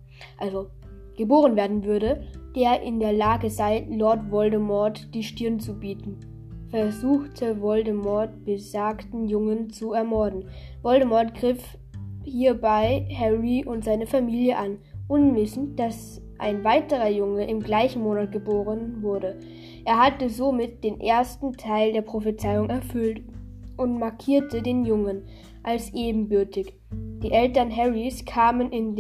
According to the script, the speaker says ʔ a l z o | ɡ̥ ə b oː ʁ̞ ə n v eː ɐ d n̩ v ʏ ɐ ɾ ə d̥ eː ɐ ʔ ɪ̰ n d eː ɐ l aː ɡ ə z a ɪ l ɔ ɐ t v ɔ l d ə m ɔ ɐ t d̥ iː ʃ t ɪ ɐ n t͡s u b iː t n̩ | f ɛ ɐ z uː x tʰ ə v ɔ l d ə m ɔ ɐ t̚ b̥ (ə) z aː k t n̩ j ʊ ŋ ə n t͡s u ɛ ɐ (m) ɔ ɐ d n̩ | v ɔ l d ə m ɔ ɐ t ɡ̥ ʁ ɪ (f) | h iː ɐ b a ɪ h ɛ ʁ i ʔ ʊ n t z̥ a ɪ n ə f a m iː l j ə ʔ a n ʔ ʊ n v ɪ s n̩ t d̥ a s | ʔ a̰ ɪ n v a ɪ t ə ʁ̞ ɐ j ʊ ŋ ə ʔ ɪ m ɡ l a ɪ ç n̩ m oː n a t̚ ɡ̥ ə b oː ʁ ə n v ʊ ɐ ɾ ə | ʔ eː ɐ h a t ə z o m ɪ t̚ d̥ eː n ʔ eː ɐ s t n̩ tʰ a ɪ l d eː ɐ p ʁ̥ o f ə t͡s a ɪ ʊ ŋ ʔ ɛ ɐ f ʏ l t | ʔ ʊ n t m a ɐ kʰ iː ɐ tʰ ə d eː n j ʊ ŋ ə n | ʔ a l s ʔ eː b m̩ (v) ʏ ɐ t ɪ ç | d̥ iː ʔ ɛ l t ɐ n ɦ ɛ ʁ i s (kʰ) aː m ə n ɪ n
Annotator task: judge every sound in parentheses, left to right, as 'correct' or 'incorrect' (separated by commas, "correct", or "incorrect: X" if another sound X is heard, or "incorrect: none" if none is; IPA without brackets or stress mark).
correct, correct, correct, incorrect: b, correct